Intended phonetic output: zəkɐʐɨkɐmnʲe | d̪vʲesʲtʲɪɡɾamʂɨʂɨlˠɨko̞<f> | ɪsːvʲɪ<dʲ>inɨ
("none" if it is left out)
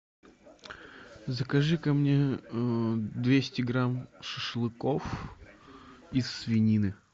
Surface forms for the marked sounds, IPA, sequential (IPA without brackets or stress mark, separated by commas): f, nʲ